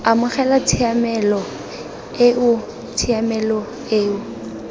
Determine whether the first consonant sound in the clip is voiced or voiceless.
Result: voiced